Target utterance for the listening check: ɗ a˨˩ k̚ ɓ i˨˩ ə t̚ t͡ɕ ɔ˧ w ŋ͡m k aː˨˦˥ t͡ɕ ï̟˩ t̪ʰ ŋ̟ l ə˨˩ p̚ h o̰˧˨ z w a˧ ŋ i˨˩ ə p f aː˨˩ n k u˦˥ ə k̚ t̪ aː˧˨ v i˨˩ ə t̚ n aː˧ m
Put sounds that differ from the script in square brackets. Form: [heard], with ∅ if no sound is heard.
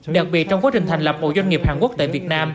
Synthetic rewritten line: ɗ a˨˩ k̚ ɓ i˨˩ ə t̚ t͡ɕ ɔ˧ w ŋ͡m k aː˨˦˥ t͡ɕ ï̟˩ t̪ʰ ŋ̟ l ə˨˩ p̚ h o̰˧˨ z w a˧ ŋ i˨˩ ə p [h] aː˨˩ n k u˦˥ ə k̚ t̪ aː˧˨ v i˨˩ ə t̚ n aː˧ m